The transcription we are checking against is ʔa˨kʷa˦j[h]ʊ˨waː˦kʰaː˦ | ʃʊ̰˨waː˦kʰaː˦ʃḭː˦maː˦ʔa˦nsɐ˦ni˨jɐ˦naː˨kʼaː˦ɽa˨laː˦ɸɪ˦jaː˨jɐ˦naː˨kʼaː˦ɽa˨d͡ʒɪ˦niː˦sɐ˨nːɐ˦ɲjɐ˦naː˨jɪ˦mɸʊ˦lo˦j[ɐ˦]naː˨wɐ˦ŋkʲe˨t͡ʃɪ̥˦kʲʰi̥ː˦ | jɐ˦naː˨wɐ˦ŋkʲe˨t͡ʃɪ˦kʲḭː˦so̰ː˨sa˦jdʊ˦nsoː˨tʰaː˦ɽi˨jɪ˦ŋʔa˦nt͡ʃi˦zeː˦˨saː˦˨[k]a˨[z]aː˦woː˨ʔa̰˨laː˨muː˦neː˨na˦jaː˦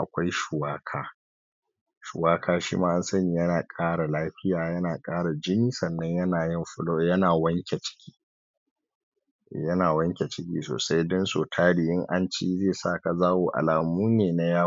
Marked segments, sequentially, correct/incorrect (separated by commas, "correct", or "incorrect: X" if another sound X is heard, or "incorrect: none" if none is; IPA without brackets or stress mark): incorrect: ʃ, correct, correct, correct